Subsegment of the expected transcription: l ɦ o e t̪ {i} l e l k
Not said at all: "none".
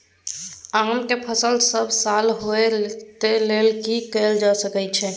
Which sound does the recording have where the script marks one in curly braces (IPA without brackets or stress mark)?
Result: e